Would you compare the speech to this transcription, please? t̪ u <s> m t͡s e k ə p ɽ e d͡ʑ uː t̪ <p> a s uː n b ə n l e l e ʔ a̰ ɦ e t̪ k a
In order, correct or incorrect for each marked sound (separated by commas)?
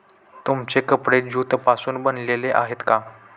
incorrect, correct